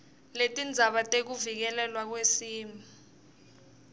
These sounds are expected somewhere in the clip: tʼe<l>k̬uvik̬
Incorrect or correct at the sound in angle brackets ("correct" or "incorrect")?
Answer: incorrect